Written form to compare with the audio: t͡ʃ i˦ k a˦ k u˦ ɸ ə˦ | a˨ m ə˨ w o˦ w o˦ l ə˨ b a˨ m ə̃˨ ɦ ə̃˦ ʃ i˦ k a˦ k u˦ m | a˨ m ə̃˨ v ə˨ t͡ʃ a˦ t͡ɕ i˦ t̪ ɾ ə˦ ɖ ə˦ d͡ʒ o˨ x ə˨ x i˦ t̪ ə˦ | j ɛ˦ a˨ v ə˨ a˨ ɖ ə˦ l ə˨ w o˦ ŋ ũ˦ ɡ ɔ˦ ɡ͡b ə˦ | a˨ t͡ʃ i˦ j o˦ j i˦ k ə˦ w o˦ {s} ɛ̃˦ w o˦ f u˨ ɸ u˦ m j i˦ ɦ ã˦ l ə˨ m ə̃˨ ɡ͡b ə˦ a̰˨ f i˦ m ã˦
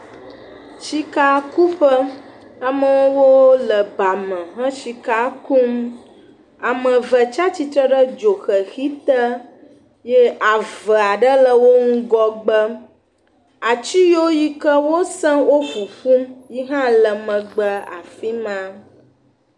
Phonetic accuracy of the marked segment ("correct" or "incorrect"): correct